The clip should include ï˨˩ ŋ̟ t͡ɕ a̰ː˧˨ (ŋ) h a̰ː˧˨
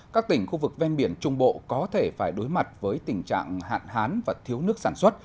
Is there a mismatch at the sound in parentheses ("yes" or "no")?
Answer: no